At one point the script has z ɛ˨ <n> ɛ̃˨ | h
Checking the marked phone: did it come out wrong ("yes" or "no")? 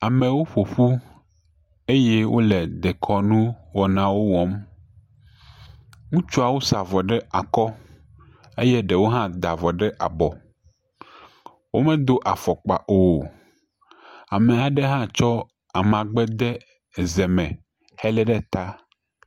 yes